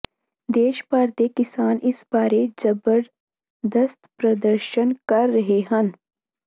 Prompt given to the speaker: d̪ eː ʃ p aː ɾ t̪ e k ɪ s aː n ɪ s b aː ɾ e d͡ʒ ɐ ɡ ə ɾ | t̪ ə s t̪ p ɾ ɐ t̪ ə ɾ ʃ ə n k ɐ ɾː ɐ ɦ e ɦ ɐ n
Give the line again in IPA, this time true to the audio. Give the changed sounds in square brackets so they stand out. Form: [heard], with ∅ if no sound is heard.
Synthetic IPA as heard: d̪ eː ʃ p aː ɾ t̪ e k ɪ s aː n ɪ s b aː ɾ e d͡ʒ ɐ [b] ə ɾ | [d̪] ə s t̪ p ɾ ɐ [d̪] ə ɾ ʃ ə n k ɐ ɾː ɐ ɦ e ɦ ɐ n